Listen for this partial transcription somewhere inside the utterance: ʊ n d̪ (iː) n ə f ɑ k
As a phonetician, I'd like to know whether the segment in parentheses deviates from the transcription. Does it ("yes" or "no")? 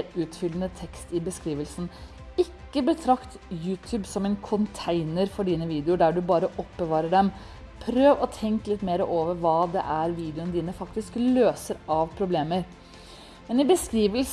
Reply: no